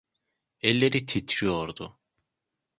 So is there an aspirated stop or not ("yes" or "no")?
yes